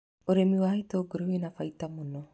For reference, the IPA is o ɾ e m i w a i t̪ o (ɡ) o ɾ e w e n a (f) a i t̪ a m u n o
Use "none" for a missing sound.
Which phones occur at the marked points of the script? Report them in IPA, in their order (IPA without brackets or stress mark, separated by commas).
ɡ, f